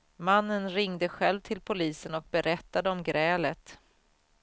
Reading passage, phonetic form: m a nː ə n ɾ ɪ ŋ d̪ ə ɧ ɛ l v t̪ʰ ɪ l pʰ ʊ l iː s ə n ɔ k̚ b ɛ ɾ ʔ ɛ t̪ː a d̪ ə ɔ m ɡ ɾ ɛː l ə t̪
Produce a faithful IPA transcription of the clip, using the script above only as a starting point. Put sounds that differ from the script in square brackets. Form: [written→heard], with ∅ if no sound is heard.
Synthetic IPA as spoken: m a nː ə n ɾ ɪ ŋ d̪ ə ɧ ɛ l v t̪ʰ ɪ l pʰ ʊ l iː s ə n ɔ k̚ b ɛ ɾ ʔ ɛ t̪ː a d̪ ə ɔ m ɡ ɾ ɛː l ə t̪